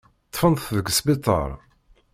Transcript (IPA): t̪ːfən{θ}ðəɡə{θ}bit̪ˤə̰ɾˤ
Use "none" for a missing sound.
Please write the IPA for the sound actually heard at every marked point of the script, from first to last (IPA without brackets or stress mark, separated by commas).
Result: θ, s